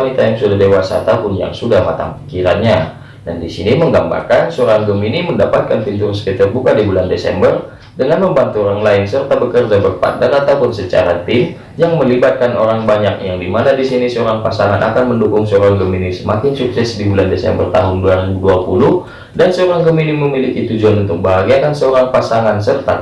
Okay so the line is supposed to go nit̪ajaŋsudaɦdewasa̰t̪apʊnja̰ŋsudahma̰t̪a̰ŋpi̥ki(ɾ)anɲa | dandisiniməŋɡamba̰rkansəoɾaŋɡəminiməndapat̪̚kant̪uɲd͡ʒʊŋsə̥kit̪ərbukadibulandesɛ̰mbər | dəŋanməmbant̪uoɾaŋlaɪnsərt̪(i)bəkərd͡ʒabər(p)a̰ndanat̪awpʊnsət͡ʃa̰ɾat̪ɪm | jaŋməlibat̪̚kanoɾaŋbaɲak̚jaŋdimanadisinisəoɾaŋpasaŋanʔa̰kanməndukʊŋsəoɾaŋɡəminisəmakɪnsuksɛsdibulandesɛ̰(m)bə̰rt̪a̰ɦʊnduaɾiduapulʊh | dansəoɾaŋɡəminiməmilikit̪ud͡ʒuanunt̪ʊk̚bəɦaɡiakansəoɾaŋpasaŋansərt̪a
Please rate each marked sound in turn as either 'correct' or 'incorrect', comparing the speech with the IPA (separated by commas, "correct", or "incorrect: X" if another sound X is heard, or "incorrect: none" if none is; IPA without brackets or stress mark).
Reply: correct, incorrect: a, correct, correct